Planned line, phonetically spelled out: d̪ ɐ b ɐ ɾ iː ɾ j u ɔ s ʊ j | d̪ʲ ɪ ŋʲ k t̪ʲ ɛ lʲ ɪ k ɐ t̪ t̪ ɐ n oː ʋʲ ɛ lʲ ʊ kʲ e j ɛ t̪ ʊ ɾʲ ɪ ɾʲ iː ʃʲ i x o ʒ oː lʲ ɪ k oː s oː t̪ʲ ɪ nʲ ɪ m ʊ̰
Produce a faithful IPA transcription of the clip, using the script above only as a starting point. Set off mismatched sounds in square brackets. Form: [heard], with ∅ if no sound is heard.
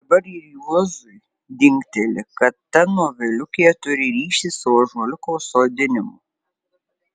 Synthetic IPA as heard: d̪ ɐ b ɐ ɾ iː ɾ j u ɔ [z] ʊ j | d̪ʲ ɪ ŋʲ k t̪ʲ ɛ lʲ ɪ k ɐ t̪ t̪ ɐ n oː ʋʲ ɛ lʲ ʊ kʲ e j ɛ t̪ ʊ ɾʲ ɪ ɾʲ iː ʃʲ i [s] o ʒ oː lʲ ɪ k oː s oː [d̪ʲ] ɪ nʲ ɪ m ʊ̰